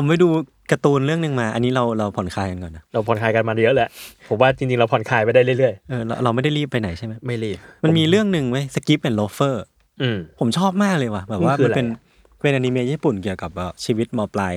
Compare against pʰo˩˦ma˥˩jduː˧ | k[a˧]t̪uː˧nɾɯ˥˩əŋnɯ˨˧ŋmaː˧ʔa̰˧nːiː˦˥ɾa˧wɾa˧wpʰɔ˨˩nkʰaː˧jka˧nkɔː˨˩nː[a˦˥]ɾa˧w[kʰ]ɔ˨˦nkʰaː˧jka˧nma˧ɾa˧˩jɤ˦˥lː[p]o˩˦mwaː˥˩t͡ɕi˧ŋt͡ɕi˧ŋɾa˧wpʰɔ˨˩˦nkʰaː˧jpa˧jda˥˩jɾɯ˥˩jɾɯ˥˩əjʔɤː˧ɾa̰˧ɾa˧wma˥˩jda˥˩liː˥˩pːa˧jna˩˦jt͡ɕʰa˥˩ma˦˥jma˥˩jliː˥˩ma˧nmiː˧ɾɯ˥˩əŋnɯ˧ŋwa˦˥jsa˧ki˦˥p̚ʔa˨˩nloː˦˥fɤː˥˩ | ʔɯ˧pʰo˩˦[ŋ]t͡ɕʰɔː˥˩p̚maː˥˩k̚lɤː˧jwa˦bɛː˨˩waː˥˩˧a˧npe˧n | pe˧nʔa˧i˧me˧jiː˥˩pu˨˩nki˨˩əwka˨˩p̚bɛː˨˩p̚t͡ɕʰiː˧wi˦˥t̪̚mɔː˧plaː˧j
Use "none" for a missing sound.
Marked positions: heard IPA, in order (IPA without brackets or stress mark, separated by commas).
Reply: a˧, a˦˥, pʰ, pʰ, m